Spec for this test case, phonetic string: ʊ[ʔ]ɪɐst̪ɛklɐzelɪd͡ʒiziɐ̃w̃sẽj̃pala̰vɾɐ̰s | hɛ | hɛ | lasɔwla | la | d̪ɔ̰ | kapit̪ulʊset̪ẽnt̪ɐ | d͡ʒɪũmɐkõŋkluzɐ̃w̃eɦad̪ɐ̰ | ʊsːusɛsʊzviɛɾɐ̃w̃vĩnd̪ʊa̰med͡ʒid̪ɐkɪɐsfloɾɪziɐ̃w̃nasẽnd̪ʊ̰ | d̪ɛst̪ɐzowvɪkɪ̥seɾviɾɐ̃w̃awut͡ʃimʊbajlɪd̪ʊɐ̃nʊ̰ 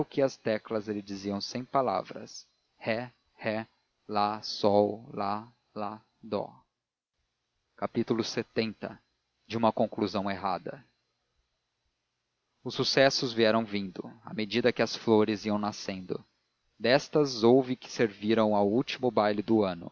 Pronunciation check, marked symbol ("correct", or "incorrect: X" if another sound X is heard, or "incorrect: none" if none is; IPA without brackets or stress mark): incorrect: k